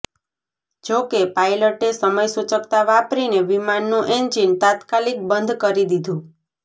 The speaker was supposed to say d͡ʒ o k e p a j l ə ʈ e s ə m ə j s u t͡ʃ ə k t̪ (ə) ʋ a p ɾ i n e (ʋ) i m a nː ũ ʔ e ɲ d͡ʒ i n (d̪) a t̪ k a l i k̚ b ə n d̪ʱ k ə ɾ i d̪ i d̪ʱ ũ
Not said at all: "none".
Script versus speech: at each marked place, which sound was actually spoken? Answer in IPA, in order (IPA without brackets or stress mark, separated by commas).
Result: a, ʋ, t̪